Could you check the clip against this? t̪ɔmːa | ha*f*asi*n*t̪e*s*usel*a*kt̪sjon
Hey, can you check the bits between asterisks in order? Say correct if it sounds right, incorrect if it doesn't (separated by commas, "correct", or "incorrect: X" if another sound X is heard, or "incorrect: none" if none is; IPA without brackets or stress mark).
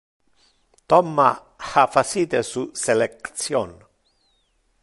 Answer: correct, incorrect: none, correct, incorrect: e